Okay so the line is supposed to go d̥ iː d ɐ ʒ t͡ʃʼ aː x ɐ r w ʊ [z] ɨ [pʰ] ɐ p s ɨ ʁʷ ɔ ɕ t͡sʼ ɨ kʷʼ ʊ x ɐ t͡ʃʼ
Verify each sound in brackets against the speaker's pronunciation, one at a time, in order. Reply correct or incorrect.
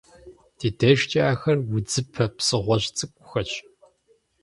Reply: incorrect, correct

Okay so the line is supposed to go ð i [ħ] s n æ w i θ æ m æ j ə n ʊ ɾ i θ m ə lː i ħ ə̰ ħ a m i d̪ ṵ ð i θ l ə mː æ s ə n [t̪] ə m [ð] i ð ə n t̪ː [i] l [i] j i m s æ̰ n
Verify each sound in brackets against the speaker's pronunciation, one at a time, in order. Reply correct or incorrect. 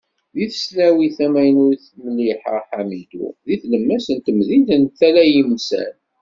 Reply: incorrect, correct, correct, incorrect, incorrect

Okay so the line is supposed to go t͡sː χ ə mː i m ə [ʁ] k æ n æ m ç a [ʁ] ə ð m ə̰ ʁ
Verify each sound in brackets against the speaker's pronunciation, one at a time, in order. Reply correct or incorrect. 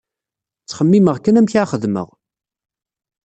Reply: correct, incorrect

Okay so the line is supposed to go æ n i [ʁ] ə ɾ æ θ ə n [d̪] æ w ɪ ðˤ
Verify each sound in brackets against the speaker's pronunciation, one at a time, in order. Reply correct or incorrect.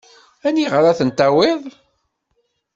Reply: correct, incorrect

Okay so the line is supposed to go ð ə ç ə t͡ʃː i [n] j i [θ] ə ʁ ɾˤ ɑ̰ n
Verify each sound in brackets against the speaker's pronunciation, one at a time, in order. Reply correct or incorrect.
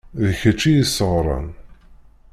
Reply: incorrect, incorrect

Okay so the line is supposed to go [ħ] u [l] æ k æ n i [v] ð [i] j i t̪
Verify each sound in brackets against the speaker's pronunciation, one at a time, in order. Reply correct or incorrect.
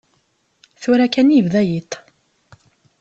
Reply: incorrect, incorrect, correct, incorrect

